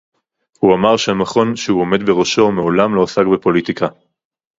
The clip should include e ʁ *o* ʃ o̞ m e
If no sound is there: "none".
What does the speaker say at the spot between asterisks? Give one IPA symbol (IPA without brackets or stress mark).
o